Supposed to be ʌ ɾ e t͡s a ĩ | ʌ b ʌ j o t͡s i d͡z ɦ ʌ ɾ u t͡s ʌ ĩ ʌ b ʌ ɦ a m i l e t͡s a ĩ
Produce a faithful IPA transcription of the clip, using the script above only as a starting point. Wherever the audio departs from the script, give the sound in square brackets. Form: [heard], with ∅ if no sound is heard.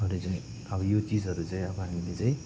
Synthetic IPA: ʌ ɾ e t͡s a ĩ | ʌ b ʌ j o t͡s i d͡z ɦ ʌ ɾ u t͡s [a] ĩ ʌ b ʌ ɦ a m i l e t͡s a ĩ